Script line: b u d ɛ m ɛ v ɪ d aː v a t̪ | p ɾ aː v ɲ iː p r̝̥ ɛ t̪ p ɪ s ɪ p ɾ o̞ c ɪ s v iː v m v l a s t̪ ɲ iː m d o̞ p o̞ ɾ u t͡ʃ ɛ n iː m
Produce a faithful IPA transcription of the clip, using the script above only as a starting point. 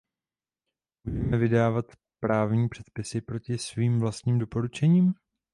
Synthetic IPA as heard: b u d ɛ m ɛ v ɪ d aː v a t̪ | p ɾ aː v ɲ iː p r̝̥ ɛ t̪ p ɪ s ɪ p ɾ o̞ c ɪ s v iː m v l a s t̪ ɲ iː m d o̞ p o̞ ɾ u t͡ʃ ɛ ɲ iː m